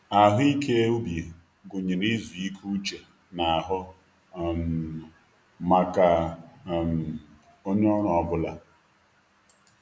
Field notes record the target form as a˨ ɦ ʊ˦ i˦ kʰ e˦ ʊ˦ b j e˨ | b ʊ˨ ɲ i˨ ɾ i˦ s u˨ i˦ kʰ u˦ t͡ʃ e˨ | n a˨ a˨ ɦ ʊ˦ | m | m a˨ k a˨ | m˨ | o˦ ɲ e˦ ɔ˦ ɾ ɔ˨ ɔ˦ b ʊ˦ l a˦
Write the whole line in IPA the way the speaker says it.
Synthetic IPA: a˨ ɦ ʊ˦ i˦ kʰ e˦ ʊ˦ b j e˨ | ɡ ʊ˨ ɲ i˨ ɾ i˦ z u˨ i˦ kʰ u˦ t͡ʃ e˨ | n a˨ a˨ ɦ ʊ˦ | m | m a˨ k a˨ | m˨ | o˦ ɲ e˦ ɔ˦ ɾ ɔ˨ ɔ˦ b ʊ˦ l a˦